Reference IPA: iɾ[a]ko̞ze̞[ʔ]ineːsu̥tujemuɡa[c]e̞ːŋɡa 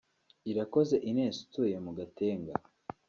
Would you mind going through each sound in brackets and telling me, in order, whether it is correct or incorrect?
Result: correct, correct, incorrect: t

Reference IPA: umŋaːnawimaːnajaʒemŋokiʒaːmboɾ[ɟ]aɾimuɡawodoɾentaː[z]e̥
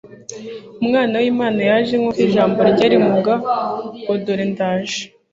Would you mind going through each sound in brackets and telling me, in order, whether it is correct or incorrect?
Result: correct, incorrect: ʒ

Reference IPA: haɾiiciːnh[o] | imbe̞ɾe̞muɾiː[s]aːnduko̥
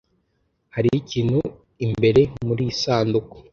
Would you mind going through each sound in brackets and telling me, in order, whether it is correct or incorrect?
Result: incorrect: u, correct

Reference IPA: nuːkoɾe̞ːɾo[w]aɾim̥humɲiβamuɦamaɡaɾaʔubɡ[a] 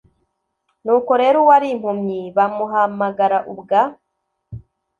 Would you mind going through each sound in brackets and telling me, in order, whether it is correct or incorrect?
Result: correct, correct

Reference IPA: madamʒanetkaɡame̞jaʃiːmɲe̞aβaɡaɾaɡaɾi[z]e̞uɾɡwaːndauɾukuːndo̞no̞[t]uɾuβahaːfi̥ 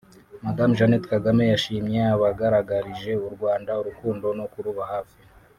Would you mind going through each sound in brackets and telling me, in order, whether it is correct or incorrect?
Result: incorrect: ʒ, incorrect: k

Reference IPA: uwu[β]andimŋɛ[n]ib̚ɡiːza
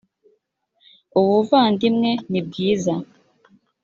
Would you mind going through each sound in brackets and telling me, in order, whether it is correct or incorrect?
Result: incorrect: v, correct

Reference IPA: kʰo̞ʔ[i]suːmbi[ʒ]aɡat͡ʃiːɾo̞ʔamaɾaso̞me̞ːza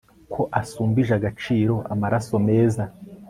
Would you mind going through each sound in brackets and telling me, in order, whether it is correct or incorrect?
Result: incorrect: a, correct

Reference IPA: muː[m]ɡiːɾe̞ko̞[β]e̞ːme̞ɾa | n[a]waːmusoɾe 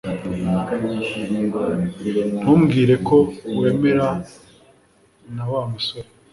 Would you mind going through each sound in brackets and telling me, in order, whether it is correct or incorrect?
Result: correct, incorrect: w, correct

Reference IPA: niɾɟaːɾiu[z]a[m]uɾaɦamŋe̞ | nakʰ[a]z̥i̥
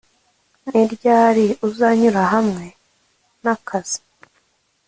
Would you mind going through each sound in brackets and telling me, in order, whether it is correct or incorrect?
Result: correct, incorrect: ɲ, correct

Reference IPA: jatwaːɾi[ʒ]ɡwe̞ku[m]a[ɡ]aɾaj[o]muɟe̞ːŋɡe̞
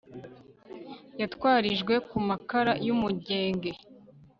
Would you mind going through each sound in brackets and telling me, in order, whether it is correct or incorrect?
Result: correct, correct, incorrect: k, incorrect: u

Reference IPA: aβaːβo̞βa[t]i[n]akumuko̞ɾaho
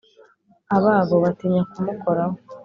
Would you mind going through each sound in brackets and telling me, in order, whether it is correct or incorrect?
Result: correct, incorrect: ɲ

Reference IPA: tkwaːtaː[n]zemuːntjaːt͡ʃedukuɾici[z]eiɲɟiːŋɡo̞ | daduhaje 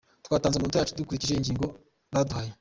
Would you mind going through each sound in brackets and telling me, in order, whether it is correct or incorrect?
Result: correct, incorrect: ʒ

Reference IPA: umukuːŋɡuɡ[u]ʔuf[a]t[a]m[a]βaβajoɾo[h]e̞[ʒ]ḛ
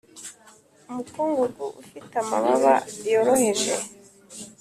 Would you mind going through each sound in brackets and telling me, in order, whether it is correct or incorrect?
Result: correct, incorrect: i, correct, correct, correct, correct

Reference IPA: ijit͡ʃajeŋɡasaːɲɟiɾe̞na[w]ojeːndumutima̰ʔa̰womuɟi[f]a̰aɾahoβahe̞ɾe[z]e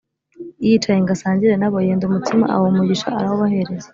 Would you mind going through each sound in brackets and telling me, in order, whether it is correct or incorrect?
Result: incorrect: β, incorrect: ʃ, correct

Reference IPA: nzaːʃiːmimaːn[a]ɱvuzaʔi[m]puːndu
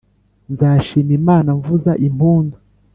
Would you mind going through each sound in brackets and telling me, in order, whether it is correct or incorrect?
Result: correct, correct

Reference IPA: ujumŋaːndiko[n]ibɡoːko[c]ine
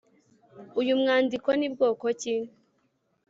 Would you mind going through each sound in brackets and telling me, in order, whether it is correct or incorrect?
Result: correct, correct

